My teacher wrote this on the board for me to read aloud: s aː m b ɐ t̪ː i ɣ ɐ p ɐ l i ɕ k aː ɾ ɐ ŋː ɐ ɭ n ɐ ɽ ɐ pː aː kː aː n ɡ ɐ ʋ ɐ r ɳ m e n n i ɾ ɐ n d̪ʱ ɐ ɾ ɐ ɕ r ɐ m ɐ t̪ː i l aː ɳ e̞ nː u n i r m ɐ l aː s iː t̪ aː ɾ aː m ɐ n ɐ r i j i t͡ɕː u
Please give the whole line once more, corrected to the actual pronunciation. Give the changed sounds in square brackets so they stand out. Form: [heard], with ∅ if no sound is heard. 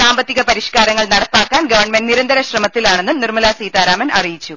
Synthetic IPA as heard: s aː m b ɐ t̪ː i ɣ ɐ p ɐ [ɾ] i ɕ k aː ɾ ɐ ŋː ɐ ɭ n ɐ ɽ ɐ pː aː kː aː n ɡ ɐ ʋ ɐ r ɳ m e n n i ɾ ɐ n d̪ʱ ɐ ɾ ɐ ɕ r ɐ m ɐ t̪ː i l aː ɳ e̞ nː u n i r m ɐ l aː s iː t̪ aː ɾ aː m ɐ n ɐ r i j i t͡ɕː u